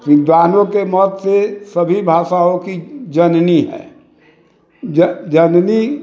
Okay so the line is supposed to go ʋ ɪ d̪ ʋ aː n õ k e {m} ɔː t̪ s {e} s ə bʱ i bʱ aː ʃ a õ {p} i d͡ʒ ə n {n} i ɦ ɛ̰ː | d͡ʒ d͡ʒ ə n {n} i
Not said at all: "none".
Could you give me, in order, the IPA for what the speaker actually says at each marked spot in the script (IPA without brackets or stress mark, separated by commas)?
m, e, k, n, n